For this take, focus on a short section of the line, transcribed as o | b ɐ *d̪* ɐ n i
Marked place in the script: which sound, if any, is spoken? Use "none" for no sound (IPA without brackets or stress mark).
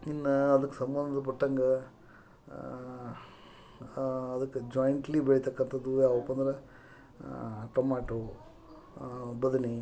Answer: d̪